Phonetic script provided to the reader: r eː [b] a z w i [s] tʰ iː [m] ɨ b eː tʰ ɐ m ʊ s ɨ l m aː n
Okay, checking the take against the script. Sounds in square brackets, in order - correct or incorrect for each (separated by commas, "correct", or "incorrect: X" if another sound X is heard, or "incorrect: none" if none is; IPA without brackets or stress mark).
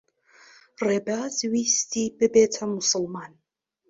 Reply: correct, correct, incorrect: b